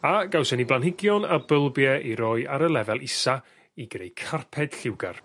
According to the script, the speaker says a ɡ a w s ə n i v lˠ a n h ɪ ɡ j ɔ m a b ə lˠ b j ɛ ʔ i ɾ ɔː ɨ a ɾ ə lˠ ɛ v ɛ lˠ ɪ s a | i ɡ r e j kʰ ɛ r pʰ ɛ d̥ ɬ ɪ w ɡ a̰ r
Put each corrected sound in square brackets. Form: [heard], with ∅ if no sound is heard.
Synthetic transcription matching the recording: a ɡ a w s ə n i [b] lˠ a n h ɪ ɡ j ɔ [n] a b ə lˠ b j ɛ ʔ i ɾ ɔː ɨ a ɾ ə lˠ ɛ v ɛ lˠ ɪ s a | i ɡ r e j kʰ [a] r pʰ ɛ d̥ ɬ ɪ w ɡ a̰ r